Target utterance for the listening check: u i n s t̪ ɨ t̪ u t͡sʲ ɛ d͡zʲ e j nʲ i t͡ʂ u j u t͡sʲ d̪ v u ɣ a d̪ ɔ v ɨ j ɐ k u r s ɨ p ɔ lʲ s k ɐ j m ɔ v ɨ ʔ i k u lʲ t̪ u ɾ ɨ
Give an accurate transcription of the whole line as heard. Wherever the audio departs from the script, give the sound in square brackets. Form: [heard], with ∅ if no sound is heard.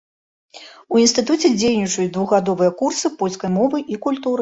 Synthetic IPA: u i n s t̪ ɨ t̪ u t͡sʲ ɛ d͡zʲ e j nʲ i t͡ʂ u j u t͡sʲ d̪ v u ɣ a d̪ ɔ v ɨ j ɐ k u r s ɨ p ɔ lʲ s k ɐ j m ɔ v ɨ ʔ i k u lʲ t̪ u ɾ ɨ